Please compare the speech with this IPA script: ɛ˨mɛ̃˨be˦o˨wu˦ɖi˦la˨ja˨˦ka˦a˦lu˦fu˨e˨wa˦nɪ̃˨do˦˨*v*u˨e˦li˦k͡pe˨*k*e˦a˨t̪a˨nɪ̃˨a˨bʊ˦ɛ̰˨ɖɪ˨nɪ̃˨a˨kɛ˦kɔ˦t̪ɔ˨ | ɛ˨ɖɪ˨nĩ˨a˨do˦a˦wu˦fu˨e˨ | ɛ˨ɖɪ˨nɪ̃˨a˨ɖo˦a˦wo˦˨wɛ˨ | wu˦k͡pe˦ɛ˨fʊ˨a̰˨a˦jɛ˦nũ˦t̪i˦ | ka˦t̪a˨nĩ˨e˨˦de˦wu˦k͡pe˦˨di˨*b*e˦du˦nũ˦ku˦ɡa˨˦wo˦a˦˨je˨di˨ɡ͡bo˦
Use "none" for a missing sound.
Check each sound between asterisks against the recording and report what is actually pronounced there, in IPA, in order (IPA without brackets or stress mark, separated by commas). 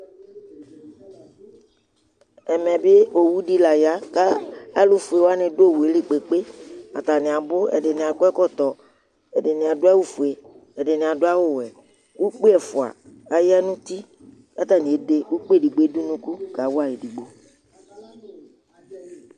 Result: w, k͡p, ɡ͡b